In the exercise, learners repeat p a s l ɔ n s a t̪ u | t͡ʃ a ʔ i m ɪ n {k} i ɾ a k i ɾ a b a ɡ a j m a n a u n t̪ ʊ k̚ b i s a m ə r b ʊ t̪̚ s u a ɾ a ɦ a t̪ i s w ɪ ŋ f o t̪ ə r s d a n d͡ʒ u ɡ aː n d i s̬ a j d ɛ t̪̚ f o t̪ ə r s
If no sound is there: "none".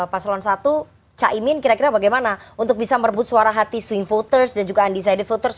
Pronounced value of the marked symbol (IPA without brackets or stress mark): k